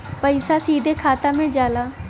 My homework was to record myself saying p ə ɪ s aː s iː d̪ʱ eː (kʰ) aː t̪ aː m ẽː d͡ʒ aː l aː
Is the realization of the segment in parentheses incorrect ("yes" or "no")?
no